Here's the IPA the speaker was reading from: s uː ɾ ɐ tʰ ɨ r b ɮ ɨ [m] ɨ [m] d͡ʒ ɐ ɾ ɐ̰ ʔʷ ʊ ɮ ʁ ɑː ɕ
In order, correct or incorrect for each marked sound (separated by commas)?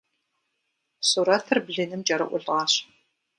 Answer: incorrect, correct